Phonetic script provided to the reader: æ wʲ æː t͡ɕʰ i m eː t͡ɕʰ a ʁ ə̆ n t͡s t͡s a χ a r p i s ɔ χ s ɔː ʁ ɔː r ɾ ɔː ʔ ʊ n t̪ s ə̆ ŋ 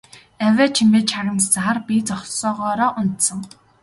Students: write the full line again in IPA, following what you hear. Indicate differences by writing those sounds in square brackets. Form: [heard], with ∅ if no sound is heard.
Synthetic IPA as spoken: æ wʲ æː t͡ɕʰ i m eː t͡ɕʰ a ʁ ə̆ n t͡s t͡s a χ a r p i [t͡s] ɔ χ s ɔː ʁ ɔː [∅] ɾ ɔː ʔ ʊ n t̪ s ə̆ ŋ